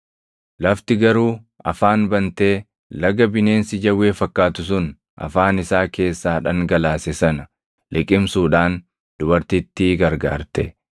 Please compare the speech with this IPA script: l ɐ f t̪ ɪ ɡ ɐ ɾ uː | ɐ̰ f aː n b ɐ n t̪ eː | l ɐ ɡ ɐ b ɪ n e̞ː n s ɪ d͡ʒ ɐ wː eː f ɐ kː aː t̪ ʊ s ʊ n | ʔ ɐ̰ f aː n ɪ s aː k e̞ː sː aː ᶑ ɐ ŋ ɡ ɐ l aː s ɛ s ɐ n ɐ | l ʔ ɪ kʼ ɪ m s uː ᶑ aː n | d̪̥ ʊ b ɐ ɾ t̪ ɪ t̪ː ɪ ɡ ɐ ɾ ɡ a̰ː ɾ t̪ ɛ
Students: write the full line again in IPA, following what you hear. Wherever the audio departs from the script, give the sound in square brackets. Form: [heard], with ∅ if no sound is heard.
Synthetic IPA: l ɐ f t̪ ɪ ɡ ɐ ɾ uː | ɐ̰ f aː n b ɐ n t̪ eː | l ɐ ɡ ɐ b ɪ n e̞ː n s ɪ d͡ʒ ɐ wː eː f ɐ kː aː t̪ ʊ s ʊ n | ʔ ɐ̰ f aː n ɪ s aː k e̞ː sː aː ᶑ ɐ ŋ ɡ ɐ l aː s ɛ s ɐ n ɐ | l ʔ ɪ kʼ ɪ m s uː ᶑ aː n | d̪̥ ʊ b ɐ ɾ t̪ ɪ t̪ː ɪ ɡ ɐ ɾ ɡ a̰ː ɾ t̪ ɛ